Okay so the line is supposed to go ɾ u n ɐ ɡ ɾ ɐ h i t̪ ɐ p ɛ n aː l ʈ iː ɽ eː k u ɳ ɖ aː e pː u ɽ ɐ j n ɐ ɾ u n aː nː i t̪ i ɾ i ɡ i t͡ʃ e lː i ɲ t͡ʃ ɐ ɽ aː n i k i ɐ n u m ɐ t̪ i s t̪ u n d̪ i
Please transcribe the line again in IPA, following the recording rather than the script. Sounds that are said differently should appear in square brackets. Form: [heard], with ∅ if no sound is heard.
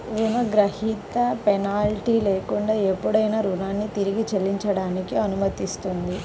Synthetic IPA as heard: ɾ u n ɐ ɡ ɾ ɐ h i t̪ ɐ p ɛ n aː l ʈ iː [l] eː k u ɳ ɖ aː e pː u ɽ ɐ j n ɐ ɾ u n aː nː i t̪ i ɾ i ɡ i t͡ʃ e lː i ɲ t͡ʃ ɐ ɽ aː n i k i ɐ n u m ɐ t̪ i s t̪ u n d̪ i